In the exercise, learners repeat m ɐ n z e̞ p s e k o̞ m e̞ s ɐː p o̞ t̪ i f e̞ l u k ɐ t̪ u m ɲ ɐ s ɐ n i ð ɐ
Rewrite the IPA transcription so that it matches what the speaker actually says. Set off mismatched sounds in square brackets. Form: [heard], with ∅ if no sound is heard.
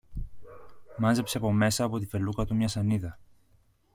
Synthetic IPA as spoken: m ɐ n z e̞ p s e [p] o̞ m e̞ s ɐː p o̞ t̪ i f e̞ l u k ɐ t̪ u m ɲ ɐ s ɐ n i ð ɐ